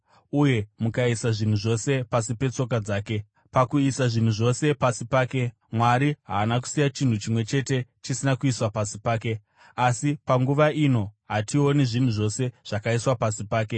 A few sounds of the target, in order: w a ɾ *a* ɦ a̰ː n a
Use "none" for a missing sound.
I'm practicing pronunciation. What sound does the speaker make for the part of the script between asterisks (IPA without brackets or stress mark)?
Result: i